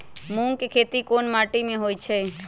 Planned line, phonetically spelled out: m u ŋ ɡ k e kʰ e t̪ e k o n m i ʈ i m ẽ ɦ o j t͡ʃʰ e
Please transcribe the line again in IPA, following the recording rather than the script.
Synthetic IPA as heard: m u ŋ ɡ k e kʰ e t̪ i k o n m a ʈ i m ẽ ɦ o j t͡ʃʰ e